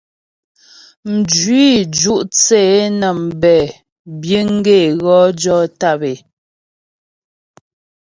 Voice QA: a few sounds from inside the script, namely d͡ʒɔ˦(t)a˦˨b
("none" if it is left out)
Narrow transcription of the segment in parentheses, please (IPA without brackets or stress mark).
t